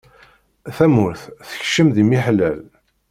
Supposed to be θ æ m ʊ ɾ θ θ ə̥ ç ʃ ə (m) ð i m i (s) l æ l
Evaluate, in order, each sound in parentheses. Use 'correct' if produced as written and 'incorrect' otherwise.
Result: correct, incorrect

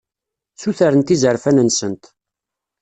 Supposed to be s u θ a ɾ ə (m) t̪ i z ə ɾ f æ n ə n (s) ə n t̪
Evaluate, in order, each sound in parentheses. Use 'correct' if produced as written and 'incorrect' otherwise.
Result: incorrect, correct

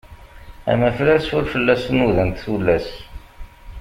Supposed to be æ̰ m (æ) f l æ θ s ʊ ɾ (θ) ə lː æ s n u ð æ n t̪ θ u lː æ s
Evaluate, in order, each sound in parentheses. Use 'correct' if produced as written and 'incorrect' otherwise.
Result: correct, incorrect

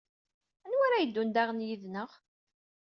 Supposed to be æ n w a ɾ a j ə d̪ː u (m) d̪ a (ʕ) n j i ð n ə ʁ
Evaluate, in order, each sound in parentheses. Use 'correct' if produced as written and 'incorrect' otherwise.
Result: incorrect, incorrect

